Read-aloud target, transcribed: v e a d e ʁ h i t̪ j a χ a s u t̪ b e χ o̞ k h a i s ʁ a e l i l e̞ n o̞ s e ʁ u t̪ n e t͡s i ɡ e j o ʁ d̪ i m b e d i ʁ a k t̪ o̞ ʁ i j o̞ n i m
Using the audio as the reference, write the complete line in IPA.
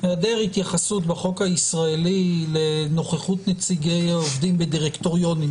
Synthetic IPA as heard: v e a d e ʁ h i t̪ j a χ a s u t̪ b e χ o̞ k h a i s ʁ a e l i l e̞ n o̞ χ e χ u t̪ n e t͡s i ɡ e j o v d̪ i m b e d i ʁ e k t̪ o̞ ʁ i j o̞ n i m